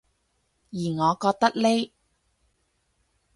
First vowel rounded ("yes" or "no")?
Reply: no